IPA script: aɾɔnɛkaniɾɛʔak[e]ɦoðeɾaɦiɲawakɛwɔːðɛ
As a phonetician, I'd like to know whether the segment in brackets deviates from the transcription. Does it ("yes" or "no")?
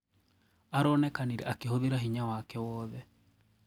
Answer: no